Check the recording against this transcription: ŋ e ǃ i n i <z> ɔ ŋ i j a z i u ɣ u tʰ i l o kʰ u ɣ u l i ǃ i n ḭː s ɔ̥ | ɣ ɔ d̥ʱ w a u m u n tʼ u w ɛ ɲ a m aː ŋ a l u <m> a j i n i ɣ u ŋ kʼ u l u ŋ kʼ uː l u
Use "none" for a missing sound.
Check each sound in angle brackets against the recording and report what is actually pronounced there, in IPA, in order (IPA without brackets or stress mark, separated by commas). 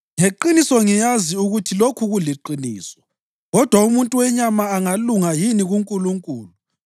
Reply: s, ŋ